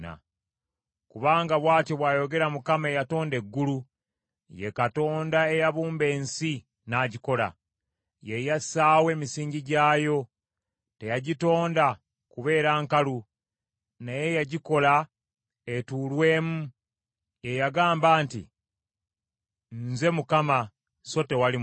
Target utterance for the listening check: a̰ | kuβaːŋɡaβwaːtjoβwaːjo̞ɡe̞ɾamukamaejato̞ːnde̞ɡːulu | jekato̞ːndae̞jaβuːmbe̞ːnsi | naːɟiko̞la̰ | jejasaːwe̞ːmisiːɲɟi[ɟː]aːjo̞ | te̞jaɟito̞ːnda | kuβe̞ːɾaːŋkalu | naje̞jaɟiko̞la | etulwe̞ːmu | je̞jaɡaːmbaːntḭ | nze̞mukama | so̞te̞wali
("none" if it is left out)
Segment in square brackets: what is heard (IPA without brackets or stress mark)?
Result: ɟ